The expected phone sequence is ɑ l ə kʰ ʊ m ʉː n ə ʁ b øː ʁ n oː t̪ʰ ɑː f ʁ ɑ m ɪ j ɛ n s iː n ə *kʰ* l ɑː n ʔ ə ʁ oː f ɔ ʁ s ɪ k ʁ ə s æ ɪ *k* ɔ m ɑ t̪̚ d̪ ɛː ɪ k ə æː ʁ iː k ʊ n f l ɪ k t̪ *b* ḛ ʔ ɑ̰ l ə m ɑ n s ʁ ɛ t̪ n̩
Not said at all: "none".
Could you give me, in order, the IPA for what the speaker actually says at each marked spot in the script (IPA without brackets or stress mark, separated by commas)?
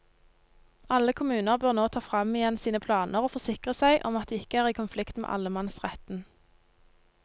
pʰ, ʔ, m